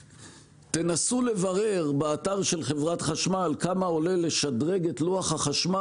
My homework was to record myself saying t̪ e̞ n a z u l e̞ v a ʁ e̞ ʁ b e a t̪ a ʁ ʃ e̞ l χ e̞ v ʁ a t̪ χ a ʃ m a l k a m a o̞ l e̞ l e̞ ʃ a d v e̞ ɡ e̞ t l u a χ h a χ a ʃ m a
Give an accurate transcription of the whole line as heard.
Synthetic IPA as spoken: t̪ e̞ n a s u l e̞ v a ʁ e̞ ʁ b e a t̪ a ʁ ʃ e̞ l χ e̞ v ʁ a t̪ χ a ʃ m a l k a m a o̞ l e̞ l e̞ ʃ a d ʁ e̞ ɡ e̞ t l u a χ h a χ a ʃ m a